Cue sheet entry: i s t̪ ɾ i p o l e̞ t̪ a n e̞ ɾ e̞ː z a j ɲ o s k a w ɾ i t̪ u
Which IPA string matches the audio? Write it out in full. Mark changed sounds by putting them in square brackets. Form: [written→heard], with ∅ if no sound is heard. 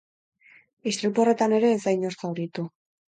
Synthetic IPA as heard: i s t̪ ɾ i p o [l→r] e̞ t̪ a n e̞ ɾ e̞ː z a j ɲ o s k a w ɾ i t̪ u